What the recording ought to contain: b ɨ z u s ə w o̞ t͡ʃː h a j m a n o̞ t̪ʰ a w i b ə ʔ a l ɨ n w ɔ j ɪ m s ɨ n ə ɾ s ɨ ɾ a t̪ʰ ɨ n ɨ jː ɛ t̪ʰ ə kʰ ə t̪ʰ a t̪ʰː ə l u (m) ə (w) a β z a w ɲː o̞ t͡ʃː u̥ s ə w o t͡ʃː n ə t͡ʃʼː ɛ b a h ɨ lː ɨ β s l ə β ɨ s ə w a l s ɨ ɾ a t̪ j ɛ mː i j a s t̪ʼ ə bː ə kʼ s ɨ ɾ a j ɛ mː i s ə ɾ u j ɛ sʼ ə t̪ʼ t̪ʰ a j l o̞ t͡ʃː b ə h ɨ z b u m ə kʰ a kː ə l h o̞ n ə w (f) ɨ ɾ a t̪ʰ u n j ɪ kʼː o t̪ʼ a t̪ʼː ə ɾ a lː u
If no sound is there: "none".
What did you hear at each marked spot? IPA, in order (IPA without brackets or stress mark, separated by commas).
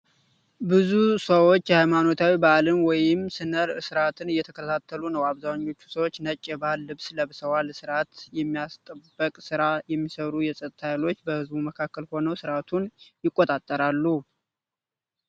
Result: n, w, s